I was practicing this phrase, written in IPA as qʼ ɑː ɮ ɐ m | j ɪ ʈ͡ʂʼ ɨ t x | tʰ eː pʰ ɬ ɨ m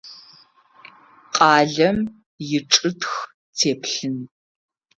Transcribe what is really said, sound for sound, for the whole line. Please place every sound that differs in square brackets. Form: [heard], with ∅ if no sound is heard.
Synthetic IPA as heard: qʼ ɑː ɮ ɐ m | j ɪ ʈ͡ʂʼ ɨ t x | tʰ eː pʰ ɬ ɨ [n]